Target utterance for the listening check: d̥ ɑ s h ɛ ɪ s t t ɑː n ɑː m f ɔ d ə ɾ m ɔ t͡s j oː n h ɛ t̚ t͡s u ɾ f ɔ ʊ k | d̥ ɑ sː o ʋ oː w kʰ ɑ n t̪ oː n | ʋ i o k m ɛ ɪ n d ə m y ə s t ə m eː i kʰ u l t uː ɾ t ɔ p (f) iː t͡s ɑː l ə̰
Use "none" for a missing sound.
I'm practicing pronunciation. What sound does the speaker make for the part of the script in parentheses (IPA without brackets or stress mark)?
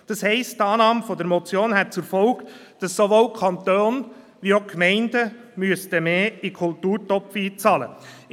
f